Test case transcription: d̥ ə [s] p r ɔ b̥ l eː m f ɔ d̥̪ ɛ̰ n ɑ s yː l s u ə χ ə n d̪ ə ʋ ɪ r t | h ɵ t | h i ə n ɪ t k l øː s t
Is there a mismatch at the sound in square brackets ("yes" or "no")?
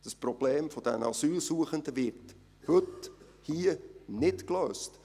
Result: no